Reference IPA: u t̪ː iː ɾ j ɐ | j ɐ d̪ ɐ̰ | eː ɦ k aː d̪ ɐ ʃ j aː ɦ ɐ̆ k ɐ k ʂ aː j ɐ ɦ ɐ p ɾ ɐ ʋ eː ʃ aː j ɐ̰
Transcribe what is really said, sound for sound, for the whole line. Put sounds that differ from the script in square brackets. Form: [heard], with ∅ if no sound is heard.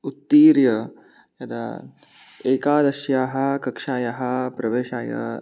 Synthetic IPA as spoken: u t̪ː iː ɾ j ɐ | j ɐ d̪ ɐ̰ | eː [∅] k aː d̪ ɐ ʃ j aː ɦ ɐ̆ k ɐ k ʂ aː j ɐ ɦ ɐ p ɾ ɐ ʋ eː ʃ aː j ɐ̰